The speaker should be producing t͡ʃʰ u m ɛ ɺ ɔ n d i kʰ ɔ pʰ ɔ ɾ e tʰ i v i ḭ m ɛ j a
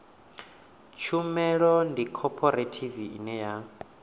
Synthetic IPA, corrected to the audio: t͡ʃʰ u m ɛ ɺ ɔ n d i kʰ ɔ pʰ ɔ ɾ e tʰ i v i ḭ n ɛ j a